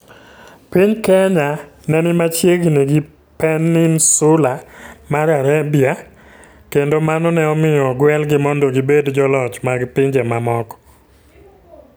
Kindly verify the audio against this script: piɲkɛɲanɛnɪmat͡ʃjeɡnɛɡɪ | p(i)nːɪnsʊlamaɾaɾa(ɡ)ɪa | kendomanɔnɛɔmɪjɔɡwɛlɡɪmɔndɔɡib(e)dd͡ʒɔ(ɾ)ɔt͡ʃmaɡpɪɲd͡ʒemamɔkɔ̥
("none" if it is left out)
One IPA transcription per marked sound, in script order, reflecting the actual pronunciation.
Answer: ɛ, b, e, l

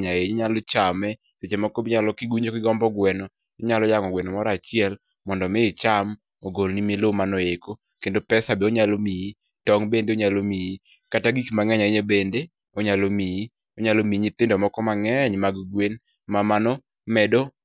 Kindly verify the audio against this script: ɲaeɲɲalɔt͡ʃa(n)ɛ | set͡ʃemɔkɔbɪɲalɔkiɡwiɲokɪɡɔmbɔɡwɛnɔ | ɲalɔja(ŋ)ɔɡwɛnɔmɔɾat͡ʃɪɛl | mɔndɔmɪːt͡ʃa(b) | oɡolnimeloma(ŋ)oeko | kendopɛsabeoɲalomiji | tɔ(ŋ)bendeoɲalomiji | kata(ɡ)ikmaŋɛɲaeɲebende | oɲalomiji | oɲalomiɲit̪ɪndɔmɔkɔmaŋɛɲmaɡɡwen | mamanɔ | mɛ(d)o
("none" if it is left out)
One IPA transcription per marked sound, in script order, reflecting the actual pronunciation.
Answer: m, ŋ, m, n, ŋ, ɡ, d

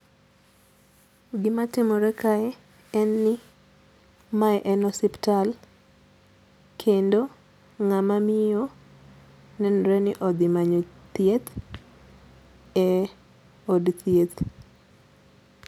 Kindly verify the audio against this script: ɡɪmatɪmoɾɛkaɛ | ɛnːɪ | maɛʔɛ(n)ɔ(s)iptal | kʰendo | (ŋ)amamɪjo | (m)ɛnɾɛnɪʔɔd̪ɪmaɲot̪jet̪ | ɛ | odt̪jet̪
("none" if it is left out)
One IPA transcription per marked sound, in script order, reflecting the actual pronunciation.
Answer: n, s, ŋ, n

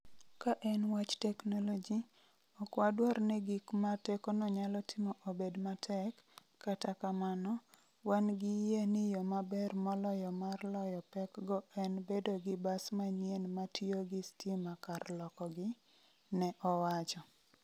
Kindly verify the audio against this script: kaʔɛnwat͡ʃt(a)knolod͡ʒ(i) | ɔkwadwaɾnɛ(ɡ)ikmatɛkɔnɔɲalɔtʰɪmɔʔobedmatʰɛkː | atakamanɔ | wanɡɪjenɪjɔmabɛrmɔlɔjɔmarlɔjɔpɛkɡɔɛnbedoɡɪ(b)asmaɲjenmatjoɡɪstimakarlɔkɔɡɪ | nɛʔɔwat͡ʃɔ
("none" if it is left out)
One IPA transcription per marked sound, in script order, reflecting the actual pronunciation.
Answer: ɛ, i, ɡ, b

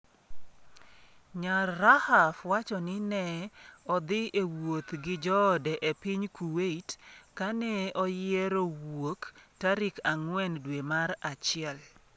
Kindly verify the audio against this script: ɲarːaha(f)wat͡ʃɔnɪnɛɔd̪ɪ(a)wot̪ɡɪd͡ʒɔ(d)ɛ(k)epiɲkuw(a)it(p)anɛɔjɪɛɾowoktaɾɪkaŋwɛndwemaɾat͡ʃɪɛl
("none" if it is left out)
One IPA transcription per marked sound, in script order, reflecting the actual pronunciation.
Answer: f, e, d, ʔ, e, k

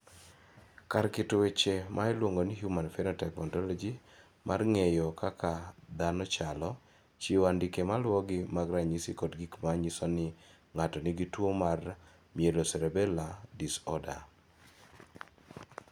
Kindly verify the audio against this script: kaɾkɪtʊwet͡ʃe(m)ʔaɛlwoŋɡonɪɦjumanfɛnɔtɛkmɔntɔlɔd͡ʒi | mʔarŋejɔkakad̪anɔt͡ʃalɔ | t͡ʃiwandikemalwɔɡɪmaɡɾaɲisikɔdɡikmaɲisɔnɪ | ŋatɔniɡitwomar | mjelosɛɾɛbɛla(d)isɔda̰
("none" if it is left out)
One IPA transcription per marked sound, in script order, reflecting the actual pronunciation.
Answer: m, d

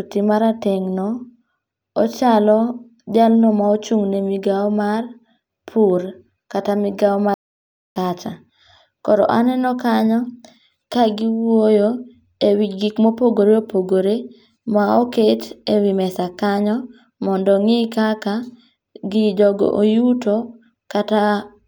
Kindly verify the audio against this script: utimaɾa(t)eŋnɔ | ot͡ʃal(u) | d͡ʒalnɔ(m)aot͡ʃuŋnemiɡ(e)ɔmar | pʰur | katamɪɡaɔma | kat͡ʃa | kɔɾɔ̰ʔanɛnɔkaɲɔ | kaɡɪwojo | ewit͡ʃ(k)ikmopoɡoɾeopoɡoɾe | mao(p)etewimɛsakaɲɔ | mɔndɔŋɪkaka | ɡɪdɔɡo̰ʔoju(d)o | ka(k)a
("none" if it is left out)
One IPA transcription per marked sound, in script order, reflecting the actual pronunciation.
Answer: t, ɔ, m, a, ɡ, k, t, t

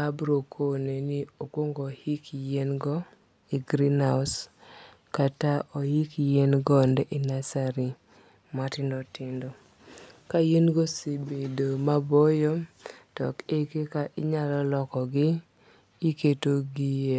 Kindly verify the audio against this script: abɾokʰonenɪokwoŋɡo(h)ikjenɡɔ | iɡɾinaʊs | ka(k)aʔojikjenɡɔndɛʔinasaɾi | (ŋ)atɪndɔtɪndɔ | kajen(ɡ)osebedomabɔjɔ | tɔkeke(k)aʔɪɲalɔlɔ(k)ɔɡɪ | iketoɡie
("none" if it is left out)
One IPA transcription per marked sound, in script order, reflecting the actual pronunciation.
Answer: h, t, m, ɡ, k, k

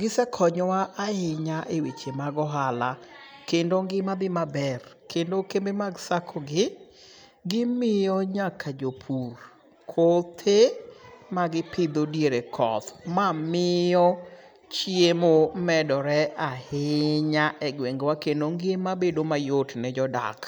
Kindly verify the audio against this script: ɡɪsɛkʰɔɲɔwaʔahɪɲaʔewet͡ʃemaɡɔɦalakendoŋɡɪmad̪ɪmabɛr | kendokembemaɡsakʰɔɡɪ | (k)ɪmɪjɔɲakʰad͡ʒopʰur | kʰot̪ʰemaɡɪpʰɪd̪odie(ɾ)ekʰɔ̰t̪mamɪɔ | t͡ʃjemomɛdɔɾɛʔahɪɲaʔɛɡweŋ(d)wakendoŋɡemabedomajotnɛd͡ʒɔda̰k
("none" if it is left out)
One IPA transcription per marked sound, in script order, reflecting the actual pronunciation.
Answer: ɡ, ɾ, ɡ

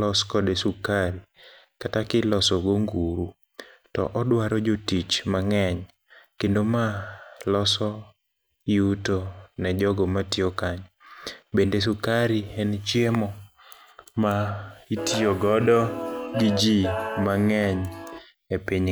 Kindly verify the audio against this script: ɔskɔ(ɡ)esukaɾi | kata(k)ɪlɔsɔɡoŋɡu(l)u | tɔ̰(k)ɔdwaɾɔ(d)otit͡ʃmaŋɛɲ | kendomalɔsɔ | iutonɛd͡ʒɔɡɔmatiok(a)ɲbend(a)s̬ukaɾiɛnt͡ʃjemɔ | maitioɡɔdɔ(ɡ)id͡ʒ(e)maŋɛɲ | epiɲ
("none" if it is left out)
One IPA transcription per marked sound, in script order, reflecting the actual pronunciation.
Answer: d, k, ɾ, ʔ, d͡ʒ, a, e, ɡ, i

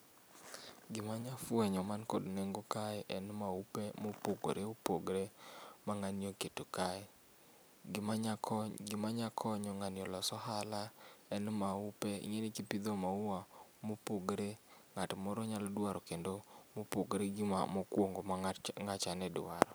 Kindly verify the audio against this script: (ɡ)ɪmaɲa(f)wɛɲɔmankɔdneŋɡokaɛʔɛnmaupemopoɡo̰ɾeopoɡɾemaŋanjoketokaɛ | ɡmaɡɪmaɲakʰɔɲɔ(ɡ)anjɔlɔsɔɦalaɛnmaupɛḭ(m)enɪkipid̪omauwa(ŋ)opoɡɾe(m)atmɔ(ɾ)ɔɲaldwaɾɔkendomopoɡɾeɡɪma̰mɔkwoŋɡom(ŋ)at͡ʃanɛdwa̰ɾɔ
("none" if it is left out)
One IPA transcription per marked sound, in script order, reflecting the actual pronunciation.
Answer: ɡ, f, ŋ, ŋ, m, ŋ, ɾ, ŋ

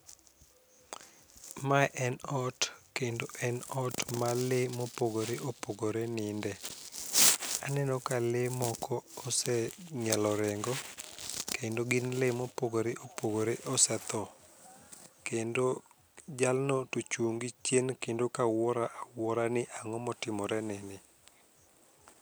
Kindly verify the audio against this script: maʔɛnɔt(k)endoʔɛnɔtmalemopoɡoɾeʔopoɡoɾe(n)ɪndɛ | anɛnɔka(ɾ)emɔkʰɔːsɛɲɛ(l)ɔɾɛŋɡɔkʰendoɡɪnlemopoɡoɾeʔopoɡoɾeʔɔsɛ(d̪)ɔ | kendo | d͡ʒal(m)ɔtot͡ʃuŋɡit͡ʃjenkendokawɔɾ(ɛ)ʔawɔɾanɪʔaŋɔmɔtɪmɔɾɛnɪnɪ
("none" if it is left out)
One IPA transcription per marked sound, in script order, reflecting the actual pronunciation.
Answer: k, n, l, l, t̪, n, a

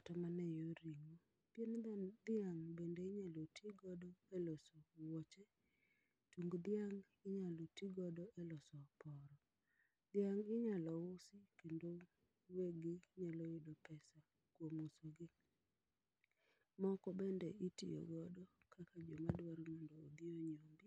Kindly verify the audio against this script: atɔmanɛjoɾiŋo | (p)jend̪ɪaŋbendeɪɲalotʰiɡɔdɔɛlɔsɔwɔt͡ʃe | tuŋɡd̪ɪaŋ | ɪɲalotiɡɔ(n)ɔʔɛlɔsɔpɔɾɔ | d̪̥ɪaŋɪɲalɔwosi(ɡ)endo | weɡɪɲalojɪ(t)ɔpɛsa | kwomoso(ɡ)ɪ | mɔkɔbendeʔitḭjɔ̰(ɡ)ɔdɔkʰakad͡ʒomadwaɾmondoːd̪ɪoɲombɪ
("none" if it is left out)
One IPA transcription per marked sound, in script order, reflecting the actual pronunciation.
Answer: p, d, k, d, ɡ, ɡ

